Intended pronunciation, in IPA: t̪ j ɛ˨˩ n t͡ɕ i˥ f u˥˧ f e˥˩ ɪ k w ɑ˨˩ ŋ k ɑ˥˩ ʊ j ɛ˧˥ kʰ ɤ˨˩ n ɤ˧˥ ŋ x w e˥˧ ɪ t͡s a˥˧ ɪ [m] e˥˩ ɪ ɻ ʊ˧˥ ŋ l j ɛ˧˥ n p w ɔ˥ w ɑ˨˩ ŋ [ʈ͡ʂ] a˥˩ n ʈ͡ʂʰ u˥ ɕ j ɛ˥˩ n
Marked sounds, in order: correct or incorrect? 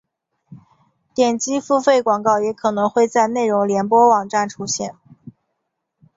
incorrect, correct

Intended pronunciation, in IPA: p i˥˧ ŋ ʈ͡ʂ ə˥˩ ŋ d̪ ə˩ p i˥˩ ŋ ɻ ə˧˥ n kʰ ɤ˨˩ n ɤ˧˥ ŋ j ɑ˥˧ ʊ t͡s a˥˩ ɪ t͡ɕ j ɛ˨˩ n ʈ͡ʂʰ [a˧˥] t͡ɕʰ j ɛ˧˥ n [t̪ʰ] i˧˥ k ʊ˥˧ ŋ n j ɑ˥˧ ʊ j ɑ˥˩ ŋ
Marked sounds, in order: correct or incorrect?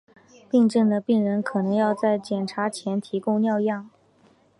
correct, correct

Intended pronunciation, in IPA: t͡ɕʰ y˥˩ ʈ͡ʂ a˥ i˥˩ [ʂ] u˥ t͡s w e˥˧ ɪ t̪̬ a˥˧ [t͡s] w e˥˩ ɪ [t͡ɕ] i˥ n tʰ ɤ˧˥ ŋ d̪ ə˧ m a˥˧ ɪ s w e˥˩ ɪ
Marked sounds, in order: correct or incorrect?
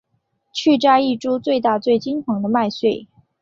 incorrect, correct, correct

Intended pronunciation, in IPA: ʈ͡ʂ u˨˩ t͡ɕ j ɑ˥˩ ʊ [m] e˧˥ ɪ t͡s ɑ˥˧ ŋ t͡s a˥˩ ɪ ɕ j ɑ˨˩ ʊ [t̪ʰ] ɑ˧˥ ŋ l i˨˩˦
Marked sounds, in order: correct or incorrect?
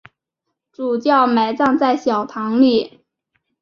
correct, correct

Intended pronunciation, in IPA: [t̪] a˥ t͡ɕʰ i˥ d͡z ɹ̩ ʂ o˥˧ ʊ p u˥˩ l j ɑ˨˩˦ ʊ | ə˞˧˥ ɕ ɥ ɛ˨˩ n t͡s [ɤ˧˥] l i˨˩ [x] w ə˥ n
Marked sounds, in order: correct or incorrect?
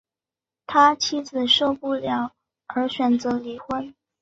incorrect, correct, correct

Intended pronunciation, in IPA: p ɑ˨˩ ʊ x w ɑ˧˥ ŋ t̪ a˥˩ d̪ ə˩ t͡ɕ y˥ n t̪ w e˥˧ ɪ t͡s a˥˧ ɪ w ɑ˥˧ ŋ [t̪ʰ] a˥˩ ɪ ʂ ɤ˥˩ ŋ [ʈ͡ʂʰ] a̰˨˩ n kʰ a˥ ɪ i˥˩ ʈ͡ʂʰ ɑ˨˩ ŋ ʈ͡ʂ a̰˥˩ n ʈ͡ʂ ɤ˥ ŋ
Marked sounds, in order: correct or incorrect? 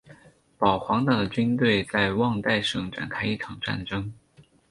incorrect, incorrect

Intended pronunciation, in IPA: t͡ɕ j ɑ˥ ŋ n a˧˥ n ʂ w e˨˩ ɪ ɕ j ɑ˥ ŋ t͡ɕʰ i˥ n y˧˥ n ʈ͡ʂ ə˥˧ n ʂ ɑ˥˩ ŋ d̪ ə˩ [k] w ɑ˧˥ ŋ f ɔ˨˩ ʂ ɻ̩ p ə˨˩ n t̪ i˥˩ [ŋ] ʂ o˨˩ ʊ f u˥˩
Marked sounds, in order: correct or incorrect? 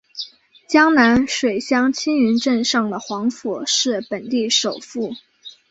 incorrect, incorrect

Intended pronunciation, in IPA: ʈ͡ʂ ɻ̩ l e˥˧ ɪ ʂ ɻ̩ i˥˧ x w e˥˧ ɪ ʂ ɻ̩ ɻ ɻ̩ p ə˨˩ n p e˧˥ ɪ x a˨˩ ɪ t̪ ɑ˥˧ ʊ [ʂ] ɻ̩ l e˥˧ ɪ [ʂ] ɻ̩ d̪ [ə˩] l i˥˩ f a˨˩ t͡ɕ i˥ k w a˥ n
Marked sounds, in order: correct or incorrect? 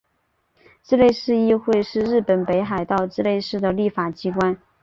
incorrect, correct, correct

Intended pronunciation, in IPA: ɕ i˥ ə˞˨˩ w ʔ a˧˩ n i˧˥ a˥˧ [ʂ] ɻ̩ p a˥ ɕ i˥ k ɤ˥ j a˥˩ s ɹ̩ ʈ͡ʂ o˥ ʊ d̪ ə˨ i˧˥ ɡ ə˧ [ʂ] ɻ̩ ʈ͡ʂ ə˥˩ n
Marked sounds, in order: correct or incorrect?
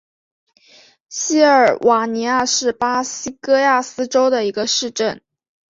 correct, correct

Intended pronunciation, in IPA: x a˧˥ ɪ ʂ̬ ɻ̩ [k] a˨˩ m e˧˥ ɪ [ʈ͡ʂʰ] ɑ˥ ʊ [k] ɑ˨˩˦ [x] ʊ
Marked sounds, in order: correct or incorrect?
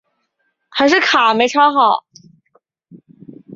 incorrect, correct, incorrect, incorrect

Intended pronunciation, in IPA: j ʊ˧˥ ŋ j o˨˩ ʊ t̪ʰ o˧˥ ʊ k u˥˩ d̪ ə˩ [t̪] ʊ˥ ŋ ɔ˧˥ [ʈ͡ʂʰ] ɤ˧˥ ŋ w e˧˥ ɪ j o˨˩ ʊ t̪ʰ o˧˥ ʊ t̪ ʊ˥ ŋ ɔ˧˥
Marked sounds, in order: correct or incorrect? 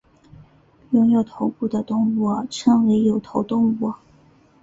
correct, correct

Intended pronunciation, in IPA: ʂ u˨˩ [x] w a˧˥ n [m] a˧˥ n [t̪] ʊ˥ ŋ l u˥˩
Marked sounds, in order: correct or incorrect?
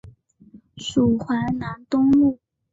correct, incorrect, correct

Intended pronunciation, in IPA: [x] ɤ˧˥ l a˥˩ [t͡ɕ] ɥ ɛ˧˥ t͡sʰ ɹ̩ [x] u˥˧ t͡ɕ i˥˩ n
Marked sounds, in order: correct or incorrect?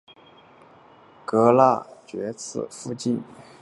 incorrect, correct, incorrect

